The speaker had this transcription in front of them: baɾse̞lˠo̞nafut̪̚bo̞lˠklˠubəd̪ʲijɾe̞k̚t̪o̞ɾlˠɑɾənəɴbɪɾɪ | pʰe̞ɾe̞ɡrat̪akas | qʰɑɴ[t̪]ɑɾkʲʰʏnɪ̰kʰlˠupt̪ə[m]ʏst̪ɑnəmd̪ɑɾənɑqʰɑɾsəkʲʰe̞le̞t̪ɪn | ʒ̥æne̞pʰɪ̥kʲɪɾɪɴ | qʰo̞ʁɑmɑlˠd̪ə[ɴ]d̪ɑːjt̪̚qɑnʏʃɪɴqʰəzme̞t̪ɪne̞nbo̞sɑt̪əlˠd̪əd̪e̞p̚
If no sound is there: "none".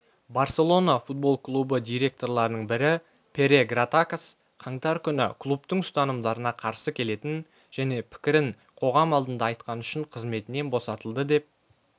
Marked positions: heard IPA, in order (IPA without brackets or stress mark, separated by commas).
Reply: t̪, ɴ, n